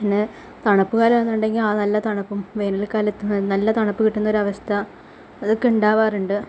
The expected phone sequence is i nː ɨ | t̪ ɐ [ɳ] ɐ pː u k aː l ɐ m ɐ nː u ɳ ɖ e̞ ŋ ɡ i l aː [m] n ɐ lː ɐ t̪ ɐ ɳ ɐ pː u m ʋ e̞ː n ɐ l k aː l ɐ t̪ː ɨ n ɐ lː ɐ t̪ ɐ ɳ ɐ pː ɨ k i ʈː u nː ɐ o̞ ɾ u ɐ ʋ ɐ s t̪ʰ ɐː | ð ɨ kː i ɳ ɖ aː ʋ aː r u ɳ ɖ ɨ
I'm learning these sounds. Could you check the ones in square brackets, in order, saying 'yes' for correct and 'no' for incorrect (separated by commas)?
yes, no